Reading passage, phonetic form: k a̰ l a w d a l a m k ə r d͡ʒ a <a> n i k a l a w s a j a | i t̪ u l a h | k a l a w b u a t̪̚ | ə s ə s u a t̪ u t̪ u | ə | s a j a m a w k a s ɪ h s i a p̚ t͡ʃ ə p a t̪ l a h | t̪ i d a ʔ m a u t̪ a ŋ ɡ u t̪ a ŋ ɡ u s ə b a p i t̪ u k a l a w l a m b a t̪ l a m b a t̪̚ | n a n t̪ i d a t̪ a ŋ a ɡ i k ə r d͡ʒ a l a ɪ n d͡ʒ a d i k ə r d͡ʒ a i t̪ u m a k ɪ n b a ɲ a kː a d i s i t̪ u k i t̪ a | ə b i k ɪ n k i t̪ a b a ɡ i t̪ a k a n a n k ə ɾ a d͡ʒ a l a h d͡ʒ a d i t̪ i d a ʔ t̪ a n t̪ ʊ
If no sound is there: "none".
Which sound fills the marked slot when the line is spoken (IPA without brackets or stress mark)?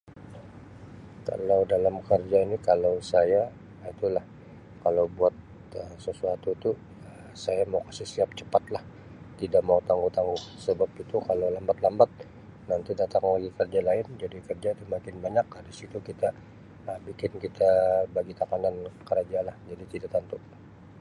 i